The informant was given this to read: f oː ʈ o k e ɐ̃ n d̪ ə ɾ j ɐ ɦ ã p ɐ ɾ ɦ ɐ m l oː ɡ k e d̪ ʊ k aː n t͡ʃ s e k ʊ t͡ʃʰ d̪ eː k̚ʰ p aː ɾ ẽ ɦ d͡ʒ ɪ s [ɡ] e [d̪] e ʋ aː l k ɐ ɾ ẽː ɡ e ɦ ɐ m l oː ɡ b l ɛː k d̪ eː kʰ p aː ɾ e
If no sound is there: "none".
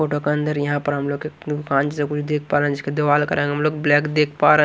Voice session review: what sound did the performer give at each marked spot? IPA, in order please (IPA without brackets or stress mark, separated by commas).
k, d̪